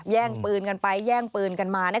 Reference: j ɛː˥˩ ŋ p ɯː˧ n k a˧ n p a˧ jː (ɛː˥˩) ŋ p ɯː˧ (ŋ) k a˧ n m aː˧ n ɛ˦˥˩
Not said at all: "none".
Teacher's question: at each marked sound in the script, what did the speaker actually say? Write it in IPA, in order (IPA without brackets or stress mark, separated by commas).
ɛː˥˩, n